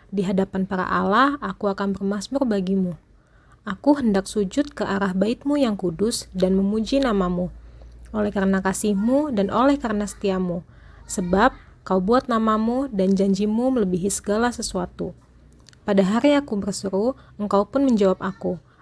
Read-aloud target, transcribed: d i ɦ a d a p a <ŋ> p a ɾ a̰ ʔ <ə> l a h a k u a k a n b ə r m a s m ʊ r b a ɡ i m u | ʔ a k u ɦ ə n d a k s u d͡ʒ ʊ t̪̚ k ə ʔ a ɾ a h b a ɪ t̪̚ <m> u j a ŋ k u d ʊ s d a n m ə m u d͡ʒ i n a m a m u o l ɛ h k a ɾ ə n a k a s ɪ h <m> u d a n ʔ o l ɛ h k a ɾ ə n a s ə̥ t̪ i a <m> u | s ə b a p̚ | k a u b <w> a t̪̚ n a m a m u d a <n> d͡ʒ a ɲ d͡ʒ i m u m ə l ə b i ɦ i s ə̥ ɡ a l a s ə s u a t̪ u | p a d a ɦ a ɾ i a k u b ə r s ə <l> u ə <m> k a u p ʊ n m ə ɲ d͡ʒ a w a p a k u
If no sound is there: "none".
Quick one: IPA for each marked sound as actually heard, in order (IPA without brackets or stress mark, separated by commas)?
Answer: n, a, m, m, m, u, n, ɾ, ŋ